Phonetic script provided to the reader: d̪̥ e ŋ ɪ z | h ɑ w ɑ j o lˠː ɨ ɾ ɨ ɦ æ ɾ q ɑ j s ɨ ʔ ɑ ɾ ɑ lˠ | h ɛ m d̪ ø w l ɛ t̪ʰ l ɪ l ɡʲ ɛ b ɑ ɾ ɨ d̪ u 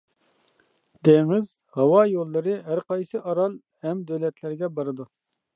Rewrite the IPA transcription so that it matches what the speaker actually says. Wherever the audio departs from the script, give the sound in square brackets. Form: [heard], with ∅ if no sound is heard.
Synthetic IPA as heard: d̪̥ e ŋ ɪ z | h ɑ w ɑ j o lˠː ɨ ɾ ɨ ɦ æ ɾ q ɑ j s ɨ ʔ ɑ ɾ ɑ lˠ | h ɛ m d̪ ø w l ɛ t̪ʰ l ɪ [ɾ] ɡʲ ɛ b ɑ ɾ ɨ d̪ u